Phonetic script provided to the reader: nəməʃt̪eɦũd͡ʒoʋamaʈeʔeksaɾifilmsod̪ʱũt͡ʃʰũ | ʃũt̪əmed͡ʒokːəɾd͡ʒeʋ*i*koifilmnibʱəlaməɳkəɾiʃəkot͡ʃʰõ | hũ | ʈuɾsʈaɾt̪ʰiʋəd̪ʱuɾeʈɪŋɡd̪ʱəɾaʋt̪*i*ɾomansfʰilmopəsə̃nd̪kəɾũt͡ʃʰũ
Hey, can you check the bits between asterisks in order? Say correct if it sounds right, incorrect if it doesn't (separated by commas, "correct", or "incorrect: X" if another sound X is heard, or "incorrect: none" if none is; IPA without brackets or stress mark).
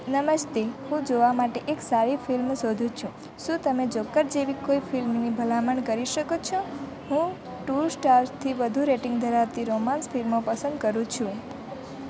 correct, correct